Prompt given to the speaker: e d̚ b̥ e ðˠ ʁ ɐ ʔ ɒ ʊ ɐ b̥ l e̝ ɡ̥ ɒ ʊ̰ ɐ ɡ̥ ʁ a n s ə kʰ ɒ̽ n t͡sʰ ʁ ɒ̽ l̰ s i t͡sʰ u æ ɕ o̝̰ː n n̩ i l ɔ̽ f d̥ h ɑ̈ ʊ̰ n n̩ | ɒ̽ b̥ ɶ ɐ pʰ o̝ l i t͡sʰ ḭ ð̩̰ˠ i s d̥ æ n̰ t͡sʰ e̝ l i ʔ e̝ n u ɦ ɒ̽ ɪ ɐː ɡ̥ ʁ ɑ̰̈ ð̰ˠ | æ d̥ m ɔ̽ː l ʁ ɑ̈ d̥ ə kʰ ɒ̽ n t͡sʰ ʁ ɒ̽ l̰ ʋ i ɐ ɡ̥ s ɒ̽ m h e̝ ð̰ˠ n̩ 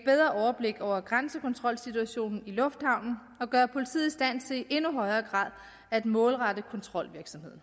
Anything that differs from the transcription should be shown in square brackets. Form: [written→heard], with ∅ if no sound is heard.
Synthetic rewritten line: e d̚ b̥ e ðˠ ʁ ɐ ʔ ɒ ʊ ɐ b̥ l e̝ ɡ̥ ɒ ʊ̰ ɐ ɡ̥ ʁ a n s ə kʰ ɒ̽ n t͡sʰ ʁ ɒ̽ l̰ s i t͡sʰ u æ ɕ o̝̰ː n n̩ i l ɔ̽ f d̥ h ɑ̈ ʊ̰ n n̩ | ɒ̽ [b̥→ɡ̥] ɶ ɐ pʰ o̝ l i t͡sʰ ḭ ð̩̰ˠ i s d̥ æ n̰ t͡sʰ e̝ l i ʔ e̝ n u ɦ ɒ̽ ɪ ɐː ɡ̥ ʁ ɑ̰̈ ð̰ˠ | æ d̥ m ɔ̽ː l ʁ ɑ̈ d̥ ə kʰ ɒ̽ n t͡sʰ ʁ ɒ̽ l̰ ʋ i ɐ ɡ̥ s ɒ̽ m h e̝ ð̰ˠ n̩